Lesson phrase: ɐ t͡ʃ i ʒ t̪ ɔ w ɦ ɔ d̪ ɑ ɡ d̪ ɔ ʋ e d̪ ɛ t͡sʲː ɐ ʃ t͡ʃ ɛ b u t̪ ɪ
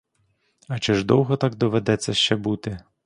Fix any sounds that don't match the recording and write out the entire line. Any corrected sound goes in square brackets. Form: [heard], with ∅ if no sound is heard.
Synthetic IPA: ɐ t͡ʃ [ɪ] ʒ [d̪] ɔ w ɦ ɔ [t̪] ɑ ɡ d̪ ɔ ʋ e d̪ ɛ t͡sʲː ɐ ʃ t͡ʃ ɛ b u t̪ ɪ